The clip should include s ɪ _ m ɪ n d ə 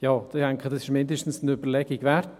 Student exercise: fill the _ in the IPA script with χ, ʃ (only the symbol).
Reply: ʃ